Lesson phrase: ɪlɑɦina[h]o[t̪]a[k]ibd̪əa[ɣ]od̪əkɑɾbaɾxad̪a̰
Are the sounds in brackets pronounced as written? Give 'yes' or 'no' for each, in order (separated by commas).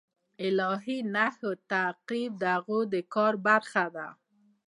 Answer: yes, yes, no, yes